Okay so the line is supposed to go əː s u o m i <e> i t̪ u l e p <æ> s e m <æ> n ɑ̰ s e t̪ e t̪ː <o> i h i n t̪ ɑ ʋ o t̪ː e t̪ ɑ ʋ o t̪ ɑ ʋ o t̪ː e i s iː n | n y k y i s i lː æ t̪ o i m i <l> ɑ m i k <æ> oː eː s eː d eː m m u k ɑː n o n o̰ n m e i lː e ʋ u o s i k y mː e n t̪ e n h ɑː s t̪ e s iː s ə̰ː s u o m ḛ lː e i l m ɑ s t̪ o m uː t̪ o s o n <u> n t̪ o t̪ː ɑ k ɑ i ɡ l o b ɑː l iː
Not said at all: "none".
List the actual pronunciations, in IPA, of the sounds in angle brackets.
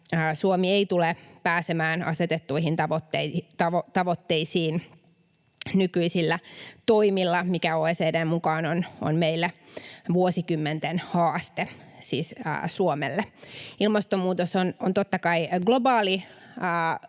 e, æː, æː, u, lː, æ, o

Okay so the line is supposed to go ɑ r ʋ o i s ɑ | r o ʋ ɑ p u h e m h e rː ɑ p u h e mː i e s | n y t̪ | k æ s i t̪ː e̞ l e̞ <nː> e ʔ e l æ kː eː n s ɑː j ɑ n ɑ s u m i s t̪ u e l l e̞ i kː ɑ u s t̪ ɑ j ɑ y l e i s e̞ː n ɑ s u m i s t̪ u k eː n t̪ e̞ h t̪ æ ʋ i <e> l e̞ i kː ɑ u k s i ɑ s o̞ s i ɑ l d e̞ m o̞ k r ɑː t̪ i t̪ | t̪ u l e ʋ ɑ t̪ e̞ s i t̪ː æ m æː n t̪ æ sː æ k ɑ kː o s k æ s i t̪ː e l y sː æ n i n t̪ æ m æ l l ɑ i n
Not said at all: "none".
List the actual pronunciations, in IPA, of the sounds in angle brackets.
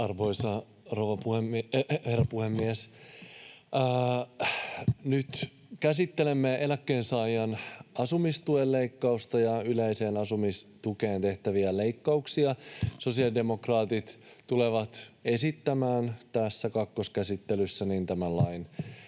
mː, æ

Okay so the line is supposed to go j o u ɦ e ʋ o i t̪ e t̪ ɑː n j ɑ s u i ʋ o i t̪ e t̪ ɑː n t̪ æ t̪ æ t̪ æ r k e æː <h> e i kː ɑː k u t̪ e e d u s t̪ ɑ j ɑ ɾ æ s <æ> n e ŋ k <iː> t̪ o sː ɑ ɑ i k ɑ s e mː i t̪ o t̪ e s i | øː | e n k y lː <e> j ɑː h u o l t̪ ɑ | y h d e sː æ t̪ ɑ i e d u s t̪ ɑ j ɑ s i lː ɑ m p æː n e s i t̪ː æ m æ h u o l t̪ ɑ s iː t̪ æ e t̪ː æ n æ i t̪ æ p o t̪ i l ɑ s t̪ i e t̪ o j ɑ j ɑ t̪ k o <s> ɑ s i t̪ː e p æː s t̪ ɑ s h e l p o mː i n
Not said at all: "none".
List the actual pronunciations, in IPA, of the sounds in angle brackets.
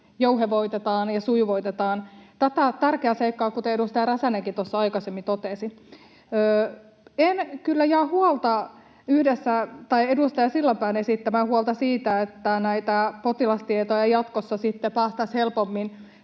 s, æ, i, æ, sː

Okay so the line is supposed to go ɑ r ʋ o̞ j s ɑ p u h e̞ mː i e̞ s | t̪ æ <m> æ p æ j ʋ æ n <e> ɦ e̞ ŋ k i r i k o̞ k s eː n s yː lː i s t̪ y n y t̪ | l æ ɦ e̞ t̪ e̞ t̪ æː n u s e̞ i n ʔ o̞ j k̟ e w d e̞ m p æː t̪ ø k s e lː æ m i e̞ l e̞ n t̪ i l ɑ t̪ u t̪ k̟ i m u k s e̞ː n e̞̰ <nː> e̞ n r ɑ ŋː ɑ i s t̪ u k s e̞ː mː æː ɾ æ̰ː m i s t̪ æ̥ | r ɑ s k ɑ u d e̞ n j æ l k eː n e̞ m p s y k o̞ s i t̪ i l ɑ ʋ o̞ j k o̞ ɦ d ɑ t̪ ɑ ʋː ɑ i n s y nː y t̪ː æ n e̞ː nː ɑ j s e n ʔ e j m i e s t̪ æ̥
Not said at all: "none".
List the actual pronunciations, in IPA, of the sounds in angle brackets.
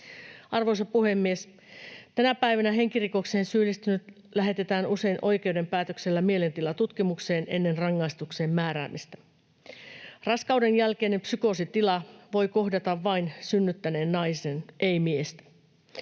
n, æ, nː

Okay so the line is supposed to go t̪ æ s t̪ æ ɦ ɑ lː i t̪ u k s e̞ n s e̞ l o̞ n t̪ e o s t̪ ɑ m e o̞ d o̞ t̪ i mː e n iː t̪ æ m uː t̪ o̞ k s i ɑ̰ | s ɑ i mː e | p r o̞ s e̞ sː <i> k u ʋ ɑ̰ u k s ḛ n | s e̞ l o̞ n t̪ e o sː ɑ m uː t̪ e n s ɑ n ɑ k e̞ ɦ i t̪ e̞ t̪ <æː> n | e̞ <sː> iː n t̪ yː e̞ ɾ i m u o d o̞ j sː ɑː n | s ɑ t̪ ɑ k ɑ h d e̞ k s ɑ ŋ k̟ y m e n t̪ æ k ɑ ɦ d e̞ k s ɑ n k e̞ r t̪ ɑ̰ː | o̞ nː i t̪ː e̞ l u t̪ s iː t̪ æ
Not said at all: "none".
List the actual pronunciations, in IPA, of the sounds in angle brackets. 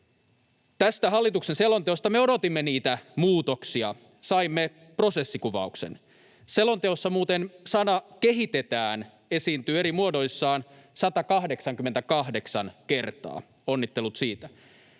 i, æː, s

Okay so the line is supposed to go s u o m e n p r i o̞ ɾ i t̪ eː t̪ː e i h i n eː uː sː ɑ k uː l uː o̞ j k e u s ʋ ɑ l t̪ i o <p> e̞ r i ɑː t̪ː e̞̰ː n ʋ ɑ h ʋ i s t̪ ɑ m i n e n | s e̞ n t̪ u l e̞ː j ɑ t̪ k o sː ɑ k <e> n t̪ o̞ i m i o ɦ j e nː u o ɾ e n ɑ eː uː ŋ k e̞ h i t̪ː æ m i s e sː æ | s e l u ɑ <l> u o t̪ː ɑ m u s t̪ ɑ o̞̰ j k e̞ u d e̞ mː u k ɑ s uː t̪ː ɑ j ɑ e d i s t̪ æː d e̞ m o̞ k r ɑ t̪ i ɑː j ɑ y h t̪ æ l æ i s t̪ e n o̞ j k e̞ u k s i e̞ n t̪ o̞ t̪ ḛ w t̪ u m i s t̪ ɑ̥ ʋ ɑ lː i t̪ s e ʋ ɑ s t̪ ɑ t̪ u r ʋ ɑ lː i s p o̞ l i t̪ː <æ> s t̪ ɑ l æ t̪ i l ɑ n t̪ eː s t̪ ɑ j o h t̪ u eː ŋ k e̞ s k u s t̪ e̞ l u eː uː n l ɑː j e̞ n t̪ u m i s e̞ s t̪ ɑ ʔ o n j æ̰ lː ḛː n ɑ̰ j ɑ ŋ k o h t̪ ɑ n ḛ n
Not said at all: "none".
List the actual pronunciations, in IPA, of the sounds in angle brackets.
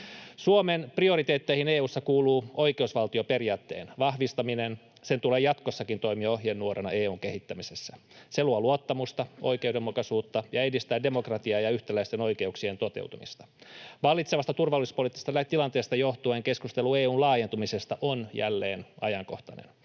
p, i, l, i

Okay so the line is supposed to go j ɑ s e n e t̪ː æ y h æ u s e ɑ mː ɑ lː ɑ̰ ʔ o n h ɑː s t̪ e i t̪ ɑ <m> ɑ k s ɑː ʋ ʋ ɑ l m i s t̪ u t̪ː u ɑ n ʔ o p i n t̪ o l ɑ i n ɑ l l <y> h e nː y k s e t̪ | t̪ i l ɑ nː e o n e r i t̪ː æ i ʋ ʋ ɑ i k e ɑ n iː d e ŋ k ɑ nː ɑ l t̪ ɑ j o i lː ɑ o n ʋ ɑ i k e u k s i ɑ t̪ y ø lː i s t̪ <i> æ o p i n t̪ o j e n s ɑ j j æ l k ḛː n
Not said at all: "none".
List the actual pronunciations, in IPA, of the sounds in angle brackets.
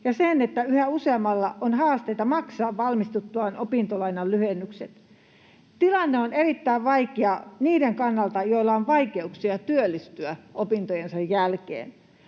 m, y, y

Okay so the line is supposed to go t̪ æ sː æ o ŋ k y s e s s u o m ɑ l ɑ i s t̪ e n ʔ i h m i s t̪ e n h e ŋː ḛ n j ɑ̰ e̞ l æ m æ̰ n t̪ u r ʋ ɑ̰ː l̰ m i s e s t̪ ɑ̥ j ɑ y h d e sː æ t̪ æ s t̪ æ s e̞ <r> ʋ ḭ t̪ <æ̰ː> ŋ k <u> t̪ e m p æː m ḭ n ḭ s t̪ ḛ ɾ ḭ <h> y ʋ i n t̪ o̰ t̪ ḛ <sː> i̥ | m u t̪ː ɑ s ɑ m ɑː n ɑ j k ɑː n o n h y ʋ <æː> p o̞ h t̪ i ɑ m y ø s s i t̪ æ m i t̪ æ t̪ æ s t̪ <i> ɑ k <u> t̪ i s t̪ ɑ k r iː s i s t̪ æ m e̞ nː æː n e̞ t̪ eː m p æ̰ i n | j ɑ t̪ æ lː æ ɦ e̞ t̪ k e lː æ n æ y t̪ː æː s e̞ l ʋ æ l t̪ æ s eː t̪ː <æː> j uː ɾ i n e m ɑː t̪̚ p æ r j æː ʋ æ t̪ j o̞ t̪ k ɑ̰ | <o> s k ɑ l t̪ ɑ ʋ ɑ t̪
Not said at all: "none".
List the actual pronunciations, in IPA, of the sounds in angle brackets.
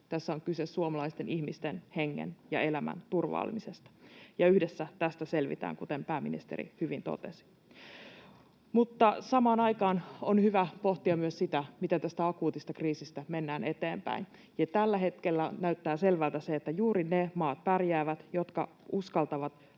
l, æ̰ː, u, h, s, æ, æ, uː, æ, u

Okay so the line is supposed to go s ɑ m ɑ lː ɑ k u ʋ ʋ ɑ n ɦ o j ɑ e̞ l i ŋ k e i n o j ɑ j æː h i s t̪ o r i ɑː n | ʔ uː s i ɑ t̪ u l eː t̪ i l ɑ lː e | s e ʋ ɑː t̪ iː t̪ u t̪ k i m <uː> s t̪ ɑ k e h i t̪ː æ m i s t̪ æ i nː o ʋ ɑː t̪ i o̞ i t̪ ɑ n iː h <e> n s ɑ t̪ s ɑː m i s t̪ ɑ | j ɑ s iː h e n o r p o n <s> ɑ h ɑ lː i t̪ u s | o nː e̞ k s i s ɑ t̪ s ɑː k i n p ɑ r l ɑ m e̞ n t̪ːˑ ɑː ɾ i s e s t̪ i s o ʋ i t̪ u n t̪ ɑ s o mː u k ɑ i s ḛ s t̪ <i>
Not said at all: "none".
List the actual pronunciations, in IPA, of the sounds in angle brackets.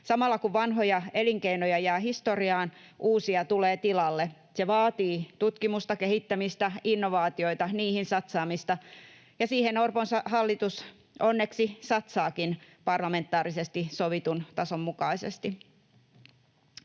u, i, s, i

